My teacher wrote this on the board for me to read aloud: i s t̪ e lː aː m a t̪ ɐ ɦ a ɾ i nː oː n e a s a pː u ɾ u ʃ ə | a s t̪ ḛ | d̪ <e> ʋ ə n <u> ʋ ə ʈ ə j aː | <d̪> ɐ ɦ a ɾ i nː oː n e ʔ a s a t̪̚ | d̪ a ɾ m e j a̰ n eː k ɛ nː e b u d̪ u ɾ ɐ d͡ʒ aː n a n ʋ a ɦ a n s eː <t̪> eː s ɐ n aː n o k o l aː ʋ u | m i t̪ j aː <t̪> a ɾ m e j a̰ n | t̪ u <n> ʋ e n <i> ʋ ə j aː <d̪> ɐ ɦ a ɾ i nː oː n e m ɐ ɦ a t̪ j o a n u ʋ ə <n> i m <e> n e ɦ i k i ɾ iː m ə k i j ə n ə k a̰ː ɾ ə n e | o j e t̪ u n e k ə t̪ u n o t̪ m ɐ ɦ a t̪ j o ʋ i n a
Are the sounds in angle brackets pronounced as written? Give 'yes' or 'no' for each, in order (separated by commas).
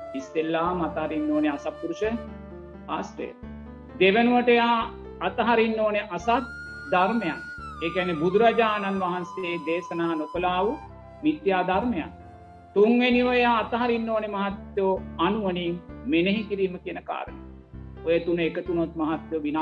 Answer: yes, yes, no, no, no, no, yes, no, yes, yes